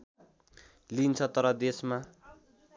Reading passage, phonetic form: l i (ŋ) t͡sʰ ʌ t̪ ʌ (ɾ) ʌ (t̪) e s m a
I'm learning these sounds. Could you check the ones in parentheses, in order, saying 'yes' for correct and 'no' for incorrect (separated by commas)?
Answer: no, yes, no